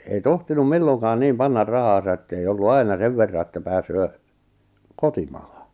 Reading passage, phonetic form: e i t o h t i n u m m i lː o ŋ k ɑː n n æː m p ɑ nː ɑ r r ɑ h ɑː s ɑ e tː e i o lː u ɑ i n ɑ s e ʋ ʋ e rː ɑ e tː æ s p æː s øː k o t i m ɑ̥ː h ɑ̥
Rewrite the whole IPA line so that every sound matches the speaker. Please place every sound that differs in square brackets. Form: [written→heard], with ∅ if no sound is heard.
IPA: e i t o h t i n u m m i lː o ŋ k ɑː n n [æː→iː] m p ɑ nː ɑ r r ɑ h ɑː s ɑ e tː e i o lː u ɑ i n ɑ s e ʋ ʋ e rː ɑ e tː æ [s→∅] p æː s øː k o t i m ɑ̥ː h ɑ̥